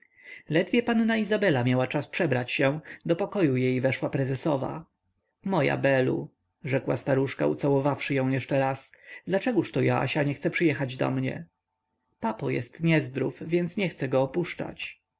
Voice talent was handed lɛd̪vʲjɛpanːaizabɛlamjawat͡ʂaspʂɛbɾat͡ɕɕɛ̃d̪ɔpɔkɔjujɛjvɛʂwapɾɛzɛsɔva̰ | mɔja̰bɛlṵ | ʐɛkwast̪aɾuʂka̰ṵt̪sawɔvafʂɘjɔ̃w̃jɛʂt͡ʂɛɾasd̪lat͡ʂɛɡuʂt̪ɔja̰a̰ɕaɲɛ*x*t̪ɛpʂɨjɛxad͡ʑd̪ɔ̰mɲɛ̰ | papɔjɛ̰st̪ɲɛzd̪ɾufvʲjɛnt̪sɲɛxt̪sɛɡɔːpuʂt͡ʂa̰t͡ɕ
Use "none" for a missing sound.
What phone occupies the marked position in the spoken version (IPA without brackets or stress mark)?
x